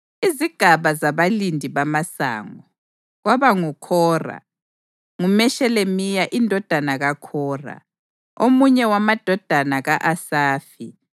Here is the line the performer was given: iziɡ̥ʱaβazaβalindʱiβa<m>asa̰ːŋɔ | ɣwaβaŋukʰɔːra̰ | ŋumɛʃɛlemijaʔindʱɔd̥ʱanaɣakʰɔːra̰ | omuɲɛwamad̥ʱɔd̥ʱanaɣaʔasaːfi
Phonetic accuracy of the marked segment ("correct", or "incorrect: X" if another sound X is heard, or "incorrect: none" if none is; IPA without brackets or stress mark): correct